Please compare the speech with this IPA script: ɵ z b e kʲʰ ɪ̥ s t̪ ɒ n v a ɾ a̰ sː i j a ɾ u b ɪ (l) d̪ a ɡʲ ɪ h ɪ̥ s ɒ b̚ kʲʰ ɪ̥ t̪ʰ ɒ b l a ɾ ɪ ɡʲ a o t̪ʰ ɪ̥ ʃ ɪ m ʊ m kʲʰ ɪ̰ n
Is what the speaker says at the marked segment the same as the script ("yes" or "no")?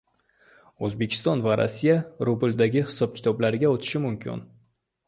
yes